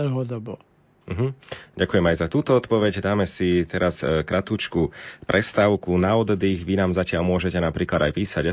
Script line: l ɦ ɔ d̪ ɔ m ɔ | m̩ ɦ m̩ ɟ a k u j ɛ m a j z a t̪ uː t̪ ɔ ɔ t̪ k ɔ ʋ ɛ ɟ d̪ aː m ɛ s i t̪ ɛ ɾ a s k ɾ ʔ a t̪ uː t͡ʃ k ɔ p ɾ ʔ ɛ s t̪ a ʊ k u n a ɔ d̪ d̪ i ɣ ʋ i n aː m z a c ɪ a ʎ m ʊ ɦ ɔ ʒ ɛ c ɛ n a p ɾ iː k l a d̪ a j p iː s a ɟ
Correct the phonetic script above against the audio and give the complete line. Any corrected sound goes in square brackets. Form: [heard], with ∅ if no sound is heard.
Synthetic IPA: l ɦ ɔ d̪ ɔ [b] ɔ | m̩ ɦ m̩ ɟ a k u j ɛ m a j z a t̪ uː t̪ ɔ ɔ t̪ [p] ɔ ʋ ɛ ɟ d̪ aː m ɛ s i t̪ ɛ ɾ a s k ɾ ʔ a t̪ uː t͡ʃ k [u] p ɾ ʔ ɛ s t̪ a ʊ k u n a ɔ d̪ d̪ i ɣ ʋ i n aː m z a c ɪ a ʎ m ʊ [∅] ɔ ʒ ɛ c ɛ n a p ɾ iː k l a d̪ a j p iː s a ɟ